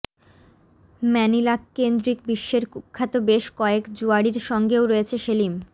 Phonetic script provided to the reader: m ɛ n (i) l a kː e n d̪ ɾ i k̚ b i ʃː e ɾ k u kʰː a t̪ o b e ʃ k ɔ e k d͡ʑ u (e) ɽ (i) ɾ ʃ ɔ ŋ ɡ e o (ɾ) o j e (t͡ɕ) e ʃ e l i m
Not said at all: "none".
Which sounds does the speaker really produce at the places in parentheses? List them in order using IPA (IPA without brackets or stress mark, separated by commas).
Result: i, a, i, ɾ, t͡ɕʰ